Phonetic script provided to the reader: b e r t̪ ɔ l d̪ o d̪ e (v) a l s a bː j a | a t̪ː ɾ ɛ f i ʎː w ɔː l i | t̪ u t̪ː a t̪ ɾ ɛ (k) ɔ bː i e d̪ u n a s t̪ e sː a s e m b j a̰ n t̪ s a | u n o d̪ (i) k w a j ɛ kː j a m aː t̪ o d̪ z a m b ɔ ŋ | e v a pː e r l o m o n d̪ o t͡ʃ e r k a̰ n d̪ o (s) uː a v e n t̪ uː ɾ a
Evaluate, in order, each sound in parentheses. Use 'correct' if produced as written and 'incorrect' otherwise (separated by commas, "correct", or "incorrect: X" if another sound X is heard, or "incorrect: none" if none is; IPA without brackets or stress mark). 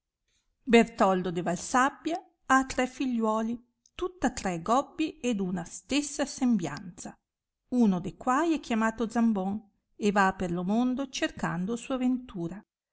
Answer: correct, incorrect: ɡ, incorrect: e, correct